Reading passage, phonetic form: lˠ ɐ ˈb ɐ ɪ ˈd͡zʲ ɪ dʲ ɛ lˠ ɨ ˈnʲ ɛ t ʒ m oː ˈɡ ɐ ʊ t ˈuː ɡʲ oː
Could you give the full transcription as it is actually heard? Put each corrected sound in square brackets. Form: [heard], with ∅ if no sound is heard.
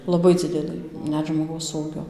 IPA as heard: lˠ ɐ ˈb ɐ ɪ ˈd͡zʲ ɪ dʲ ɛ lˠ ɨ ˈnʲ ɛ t ʒ m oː ˈɡ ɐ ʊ [s] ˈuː ɡʲ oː